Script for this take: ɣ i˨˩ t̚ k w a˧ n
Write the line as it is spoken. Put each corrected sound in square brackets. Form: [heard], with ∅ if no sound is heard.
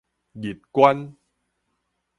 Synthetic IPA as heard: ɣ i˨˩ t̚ k w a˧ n